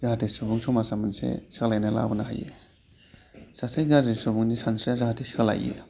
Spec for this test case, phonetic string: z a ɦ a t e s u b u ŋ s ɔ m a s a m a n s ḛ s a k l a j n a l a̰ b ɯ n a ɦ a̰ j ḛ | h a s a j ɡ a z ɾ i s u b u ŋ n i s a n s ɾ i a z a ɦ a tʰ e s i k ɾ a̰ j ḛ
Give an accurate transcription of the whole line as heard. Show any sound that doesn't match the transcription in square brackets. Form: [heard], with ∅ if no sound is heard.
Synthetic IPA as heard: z a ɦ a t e s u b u ŋ s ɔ m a s a m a n s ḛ s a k l a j n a l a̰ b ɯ n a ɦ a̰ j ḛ | [s] a s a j ɡ a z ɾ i s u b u ŋ n i s a n s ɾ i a z a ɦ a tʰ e s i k [l] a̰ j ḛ